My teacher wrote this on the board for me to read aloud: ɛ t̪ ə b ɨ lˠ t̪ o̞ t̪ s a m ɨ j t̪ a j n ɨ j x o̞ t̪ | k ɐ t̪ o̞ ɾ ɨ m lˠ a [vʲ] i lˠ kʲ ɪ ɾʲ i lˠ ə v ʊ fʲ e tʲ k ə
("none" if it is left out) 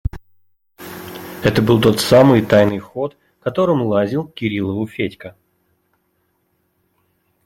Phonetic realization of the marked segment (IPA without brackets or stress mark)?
zʲ